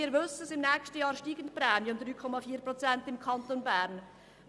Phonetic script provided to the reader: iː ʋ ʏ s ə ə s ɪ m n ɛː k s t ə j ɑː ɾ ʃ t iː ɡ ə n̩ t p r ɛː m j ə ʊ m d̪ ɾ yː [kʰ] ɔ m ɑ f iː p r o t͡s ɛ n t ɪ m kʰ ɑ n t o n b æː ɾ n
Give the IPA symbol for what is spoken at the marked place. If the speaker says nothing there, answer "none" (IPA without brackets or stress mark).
kʰ